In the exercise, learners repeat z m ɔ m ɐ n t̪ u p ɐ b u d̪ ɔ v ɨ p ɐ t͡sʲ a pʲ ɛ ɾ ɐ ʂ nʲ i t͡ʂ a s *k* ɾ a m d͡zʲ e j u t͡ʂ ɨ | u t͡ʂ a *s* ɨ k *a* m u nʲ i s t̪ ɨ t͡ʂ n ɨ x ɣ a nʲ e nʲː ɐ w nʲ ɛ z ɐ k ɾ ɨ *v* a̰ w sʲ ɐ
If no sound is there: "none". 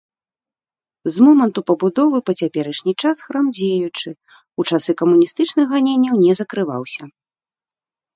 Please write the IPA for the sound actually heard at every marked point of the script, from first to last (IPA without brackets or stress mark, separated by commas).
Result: x, s, ɐ, v